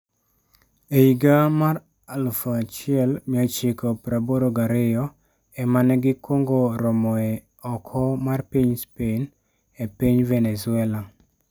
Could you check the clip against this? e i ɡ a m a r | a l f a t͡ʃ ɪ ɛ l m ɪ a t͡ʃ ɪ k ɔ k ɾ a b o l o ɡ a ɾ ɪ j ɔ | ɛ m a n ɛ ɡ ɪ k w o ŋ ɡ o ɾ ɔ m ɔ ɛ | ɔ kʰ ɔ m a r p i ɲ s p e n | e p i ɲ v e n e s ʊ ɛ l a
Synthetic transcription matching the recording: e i ɡ a m a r | a l f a t͡ʃ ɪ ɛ l m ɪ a t͡ʃ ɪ k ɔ p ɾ a b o ɾ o ɡ a ɾ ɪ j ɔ | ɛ m a n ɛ ɡ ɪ k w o ŋ ɡ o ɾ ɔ m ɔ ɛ | ɔ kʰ ɔ m a r p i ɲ s p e n | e p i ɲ v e n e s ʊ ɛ l a